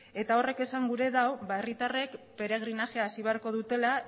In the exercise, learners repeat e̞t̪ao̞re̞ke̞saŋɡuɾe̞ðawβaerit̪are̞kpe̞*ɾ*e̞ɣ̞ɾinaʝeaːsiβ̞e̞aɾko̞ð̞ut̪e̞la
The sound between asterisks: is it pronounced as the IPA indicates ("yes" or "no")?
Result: yes